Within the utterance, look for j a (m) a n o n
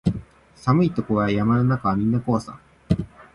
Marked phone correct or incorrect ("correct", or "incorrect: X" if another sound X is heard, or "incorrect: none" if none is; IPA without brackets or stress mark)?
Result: correct